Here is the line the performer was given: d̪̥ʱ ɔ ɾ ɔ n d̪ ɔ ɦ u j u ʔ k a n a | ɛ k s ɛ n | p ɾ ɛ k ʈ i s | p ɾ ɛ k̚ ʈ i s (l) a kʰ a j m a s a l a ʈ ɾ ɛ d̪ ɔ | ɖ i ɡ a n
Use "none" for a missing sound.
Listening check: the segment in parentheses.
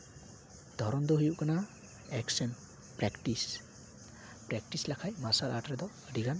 l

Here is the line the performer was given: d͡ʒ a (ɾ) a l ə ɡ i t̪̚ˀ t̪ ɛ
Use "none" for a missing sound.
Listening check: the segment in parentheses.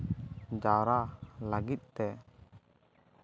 ɾ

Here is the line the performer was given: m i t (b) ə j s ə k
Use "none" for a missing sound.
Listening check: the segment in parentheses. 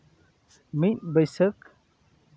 b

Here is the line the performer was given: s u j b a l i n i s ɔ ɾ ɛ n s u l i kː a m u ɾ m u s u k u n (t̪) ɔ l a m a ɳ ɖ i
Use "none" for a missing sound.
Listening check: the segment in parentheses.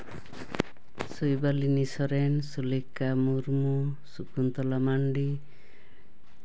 t̪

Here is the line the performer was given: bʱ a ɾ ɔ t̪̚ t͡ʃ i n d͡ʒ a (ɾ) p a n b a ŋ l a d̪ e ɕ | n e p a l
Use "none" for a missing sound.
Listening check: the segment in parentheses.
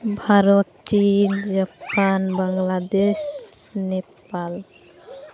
none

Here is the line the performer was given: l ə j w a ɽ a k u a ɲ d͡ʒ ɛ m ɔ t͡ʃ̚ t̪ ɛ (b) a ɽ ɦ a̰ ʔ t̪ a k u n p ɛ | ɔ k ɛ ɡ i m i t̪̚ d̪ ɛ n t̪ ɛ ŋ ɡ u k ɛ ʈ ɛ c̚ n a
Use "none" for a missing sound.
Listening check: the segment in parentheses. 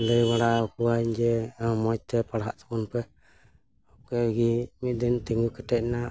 p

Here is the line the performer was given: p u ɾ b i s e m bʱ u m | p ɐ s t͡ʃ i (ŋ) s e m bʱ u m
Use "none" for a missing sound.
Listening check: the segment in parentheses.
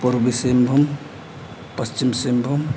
m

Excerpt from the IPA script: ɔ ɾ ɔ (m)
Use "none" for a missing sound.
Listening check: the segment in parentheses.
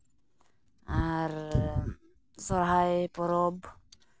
b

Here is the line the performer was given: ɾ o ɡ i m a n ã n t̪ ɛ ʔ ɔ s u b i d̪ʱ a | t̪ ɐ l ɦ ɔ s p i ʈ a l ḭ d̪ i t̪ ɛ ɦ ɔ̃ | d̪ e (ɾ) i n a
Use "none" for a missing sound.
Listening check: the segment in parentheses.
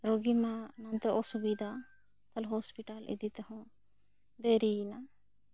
ɾ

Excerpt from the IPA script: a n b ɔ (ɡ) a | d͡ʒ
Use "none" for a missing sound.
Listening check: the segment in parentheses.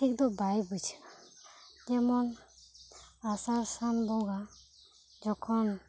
ɡ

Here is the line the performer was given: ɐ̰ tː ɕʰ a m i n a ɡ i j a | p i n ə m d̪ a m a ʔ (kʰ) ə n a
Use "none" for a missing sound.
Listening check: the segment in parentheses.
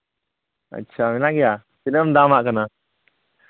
k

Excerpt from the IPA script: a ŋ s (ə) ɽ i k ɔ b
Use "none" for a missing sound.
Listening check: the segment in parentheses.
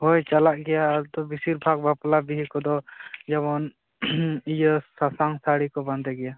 a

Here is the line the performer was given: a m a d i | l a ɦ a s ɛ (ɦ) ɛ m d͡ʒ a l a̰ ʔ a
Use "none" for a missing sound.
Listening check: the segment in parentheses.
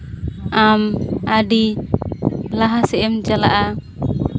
none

